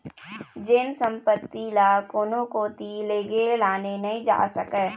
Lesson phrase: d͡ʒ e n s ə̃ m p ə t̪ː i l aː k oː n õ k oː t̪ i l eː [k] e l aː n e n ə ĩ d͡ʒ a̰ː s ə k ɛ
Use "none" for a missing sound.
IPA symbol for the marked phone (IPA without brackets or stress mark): ɡ